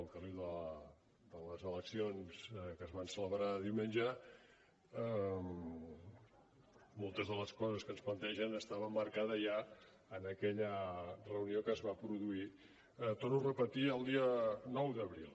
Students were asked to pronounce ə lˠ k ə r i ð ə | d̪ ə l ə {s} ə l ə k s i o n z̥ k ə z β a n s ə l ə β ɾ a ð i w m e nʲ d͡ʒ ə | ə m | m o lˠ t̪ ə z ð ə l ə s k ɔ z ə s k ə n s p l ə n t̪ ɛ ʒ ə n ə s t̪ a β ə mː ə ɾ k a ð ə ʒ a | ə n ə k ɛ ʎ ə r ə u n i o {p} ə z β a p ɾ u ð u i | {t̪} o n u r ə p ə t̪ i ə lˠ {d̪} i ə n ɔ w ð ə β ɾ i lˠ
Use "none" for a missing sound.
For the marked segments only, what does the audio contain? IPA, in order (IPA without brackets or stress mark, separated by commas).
z, k, t̪, d̪